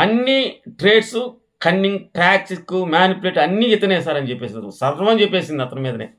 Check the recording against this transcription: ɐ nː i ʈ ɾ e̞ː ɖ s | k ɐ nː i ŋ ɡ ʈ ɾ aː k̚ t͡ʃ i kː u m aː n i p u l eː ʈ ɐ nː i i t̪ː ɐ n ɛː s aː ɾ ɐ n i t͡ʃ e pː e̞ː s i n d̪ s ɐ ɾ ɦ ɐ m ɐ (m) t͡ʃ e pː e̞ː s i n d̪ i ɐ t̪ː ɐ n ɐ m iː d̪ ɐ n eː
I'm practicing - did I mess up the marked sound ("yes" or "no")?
yes